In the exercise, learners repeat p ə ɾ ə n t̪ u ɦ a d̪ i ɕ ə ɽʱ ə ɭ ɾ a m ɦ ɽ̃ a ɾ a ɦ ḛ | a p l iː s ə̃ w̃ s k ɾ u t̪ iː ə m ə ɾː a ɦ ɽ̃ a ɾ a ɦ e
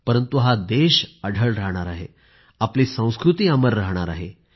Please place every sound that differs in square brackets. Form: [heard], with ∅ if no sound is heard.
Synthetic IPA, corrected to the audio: p ə ɾ ə n t̪ u ɦ a d̪ [e] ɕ ə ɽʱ ə ɭ ɾ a [∅] ɦ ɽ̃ a ɾ a ɦ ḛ | a p l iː s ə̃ w̃ s k ɾ u t̪ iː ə m ə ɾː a ɦ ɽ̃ a ɾ a ɦ e